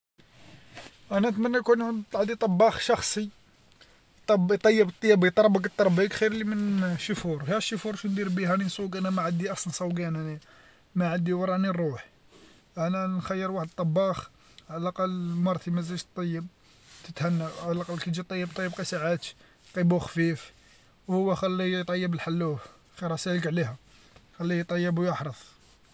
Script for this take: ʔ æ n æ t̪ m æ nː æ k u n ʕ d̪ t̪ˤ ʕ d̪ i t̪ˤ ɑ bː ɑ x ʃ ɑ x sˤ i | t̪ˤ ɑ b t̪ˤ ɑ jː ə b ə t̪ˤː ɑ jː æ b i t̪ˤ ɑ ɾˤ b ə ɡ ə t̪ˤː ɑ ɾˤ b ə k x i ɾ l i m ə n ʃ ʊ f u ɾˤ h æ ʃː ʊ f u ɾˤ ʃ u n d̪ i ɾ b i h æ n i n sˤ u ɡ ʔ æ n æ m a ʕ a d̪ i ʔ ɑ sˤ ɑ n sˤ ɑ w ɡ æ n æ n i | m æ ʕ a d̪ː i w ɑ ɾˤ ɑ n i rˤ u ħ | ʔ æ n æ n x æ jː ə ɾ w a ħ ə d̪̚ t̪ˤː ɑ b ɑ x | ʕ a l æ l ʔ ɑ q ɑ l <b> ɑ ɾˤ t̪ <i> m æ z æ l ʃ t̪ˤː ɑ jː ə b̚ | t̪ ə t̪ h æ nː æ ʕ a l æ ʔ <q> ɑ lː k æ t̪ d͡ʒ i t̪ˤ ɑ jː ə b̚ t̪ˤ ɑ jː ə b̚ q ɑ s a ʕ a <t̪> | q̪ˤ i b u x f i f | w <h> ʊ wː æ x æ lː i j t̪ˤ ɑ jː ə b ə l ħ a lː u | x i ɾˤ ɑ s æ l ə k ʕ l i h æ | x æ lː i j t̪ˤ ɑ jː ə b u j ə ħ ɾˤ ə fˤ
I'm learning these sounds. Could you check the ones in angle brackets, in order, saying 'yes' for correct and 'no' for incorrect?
no, yes, yes, yes, yes

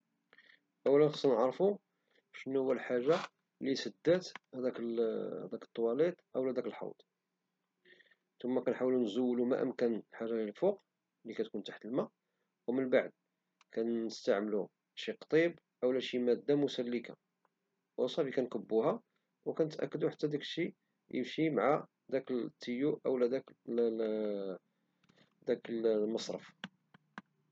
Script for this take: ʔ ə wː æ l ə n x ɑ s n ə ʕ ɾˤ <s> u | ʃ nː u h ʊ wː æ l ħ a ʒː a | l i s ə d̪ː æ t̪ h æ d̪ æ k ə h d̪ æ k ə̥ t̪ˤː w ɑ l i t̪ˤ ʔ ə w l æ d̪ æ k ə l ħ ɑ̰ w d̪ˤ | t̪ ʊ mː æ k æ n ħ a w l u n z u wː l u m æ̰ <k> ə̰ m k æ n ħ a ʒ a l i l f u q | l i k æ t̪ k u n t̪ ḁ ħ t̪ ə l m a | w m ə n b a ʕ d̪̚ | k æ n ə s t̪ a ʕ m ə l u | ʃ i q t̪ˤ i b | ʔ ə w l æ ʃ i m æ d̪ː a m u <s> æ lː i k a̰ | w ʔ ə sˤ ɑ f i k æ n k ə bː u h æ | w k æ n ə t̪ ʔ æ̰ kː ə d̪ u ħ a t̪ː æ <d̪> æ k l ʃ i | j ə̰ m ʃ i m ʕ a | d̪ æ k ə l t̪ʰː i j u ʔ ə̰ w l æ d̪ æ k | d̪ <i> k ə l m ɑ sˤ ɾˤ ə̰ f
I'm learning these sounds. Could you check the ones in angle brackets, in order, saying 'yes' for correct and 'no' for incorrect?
no, no, yes, yes, no

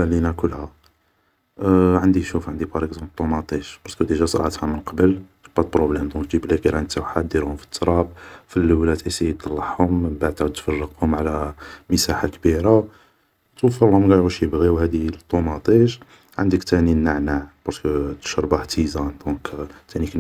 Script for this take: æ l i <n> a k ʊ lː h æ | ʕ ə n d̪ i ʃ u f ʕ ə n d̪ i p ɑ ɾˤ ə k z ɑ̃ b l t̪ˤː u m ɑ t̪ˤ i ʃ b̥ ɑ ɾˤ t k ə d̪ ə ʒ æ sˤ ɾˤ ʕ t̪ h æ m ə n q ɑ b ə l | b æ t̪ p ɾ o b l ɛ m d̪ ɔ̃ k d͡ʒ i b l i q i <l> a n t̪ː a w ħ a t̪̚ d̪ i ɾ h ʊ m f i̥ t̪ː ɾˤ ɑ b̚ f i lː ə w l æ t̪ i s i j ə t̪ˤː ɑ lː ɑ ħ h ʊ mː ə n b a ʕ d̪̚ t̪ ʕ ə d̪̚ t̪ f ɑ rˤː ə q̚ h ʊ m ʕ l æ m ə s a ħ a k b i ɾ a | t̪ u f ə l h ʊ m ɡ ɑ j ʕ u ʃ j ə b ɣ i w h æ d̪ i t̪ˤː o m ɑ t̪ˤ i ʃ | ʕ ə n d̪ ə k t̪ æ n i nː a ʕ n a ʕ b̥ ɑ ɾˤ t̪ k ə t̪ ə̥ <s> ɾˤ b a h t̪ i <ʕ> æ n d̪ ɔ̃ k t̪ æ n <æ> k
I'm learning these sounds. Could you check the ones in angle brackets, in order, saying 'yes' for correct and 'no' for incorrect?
yes, no, no, no, no

